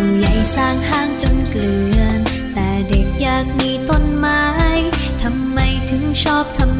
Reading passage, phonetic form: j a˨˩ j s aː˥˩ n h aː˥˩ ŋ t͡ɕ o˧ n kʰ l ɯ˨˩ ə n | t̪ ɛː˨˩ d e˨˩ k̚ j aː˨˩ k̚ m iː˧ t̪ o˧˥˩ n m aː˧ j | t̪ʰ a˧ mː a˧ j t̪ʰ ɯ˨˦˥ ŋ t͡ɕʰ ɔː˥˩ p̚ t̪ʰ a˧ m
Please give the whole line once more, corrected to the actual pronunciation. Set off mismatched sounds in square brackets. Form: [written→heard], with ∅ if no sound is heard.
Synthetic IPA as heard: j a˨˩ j s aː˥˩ [n→ŋ] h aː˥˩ ŋ t͡ɕ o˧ n [kʰ→k] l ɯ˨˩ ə n | t̪ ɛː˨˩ d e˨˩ k̚ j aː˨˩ k̚ m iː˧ t̪ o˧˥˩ n m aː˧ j | t̪ʰ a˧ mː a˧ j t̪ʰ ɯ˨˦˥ ŋ t͡ɕʰ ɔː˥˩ p̚ t̪ʰ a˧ m